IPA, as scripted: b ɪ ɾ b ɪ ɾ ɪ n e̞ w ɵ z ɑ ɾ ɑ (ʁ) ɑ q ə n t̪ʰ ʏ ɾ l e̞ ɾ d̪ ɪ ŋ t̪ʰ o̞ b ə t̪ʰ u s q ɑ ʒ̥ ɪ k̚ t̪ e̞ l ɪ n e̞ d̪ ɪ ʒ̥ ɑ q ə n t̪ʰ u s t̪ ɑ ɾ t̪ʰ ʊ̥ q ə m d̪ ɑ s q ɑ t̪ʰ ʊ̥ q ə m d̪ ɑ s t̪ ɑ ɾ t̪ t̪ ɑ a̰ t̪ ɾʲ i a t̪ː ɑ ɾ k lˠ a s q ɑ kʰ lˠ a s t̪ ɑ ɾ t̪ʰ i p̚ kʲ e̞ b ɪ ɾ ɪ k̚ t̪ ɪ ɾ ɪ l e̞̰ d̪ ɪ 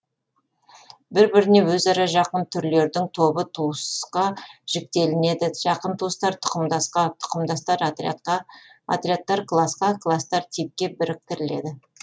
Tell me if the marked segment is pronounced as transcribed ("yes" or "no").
no